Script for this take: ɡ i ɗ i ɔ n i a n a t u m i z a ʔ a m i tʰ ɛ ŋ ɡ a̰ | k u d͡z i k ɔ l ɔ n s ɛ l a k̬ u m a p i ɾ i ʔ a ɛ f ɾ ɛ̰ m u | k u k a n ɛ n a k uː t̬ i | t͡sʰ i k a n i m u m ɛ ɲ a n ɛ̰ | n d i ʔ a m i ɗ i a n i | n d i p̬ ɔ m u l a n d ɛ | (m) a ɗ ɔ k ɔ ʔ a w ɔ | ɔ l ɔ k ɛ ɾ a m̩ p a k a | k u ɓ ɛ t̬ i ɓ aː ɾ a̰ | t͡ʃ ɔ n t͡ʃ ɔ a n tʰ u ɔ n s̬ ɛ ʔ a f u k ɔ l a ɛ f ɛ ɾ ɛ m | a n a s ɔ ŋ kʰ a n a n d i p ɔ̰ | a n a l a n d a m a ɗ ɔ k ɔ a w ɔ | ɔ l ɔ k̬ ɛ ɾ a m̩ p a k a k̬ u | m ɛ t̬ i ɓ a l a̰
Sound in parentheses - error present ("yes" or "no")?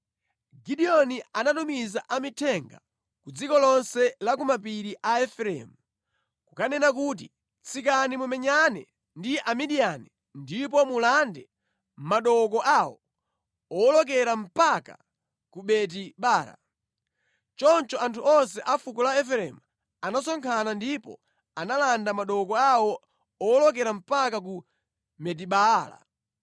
no